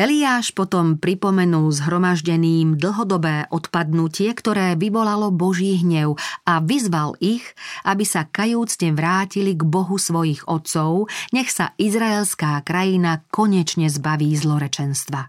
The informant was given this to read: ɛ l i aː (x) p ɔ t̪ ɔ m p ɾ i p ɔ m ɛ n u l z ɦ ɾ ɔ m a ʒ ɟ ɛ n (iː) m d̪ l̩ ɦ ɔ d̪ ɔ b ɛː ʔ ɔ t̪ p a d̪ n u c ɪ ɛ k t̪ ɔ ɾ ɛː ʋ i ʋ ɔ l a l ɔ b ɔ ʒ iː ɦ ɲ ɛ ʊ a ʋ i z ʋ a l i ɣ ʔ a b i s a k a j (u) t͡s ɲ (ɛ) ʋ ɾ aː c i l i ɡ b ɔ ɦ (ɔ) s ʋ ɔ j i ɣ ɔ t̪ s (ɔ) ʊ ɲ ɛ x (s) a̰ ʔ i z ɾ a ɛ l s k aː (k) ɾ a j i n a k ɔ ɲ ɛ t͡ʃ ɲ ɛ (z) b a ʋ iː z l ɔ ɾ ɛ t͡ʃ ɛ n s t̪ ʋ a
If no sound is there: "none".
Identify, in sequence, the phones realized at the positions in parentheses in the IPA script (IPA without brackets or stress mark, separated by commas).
ʃ, iː, uː, ɛ, u, ɔ, s, k, z